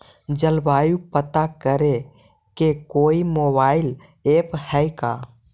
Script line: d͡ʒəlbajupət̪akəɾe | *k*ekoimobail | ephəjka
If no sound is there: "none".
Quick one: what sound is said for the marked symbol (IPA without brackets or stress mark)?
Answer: k